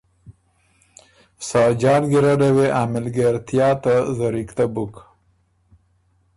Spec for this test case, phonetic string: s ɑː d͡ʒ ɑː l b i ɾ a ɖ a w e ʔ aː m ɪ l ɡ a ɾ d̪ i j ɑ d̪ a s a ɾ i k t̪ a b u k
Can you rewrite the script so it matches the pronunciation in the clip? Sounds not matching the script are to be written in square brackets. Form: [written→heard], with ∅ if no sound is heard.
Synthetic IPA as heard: s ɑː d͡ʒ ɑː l [b→ɡ] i ɾ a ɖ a w e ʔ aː m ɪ l ɡ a ɾ [d̪→t̪] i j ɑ [d̪→t̪] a [s→z] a ɾ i k t̪ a b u k